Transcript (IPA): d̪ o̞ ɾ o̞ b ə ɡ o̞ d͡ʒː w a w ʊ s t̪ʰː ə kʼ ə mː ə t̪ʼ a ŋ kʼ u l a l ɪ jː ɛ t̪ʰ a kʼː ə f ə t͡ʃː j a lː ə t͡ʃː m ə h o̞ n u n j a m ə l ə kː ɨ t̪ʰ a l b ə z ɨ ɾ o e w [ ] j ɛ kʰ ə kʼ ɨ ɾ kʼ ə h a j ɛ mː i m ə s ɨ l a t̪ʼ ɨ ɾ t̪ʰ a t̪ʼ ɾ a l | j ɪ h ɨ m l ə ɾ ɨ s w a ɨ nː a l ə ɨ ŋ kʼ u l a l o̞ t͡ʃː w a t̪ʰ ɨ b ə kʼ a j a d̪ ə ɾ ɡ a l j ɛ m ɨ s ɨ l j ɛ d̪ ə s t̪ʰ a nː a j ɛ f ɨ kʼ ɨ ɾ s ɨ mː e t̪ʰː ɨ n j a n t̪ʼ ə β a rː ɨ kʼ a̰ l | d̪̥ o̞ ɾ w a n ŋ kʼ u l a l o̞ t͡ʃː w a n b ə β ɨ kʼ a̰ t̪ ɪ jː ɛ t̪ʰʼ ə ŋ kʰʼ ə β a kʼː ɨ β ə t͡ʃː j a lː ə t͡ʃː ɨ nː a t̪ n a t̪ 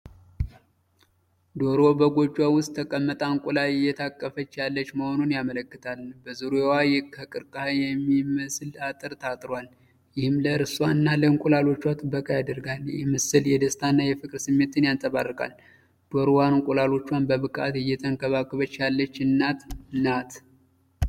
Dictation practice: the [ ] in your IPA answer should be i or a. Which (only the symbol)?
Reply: a